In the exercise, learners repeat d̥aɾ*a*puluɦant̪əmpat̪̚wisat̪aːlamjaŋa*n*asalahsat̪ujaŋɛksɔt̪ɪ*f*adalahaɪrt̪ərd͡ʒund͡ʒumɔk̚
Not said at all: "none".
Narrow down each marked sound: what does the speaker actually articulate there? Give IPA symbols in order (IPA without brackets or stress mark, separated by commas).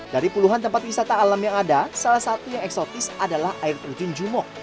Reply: i, d, s